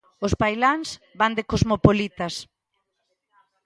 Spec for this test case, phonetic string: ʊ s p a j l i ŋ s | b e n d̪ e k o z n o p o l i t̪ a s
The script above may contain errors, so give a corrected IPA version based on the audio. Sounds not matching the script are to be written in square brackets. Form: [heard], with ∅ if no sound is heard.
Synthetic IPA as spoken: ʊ s p a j l [a] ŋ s | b [a] n d̪ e k o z [m] o p o l i t̪ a s